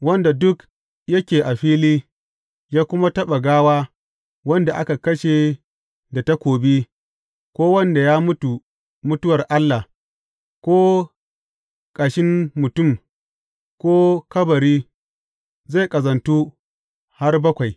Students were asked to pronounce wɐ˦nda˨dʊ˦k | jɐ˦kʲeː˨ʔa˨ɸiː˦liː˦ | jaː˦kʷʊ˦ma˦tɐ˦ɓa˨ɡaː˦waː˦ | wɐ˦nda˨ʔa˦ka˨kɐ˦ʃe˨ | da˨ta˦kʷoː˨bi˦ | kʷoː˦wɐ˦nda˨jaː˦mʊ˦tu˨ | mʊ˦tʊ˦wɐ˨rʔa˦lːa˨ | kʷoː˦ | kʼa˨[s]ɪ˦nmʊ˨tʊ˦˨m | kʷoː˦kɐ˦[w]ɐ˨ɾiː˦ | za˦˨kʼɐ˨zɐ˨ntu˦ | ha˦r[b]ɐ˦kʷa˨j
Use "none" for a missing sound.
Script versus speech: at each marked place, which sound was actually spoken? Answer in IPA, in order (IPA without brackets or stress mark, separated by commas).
ʃ, b, b